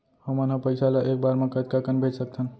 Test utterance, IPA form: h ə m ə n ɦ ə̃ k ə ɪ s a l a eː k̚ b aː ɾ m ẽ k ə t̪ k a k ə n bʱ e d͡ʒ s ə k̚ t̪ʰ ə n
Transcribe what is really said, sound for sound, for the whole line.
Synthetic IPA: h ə m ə n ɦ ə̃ p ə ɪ s a l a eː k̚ b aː ɾ m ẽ k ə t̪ k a k ə n bʱ e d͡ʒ s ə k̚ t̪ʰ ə n